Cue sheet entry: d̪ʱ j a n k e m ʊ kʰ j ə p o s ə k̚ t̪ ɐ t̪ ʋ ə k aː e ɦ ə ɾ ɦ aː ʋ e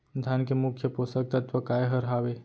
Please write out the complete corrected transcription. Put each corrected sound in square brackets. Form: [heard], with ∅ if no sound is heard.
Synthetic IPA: d̪ʱ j a n k e m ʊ kʰ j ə p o s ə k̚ t̪ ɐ t̪ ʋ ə k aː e ɦ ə ɾ ɦ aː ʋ e